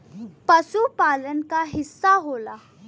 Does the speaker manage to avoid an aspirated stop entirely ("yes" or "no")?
yes